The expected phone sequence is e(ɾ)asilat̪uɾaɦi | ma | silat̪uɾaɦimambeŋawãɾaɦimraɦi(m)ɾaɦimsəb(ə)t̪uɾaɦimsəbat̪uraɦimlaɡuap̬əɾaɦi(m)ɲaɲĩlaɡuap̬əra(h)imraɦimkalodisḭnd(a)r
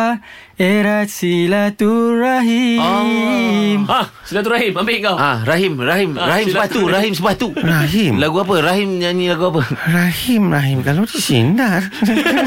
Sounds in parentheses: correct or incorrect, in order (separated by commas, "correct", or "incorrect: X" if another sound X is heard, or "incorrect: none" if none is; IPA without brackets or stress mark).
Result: correct, correct, incorrect: a, correct, correct, correct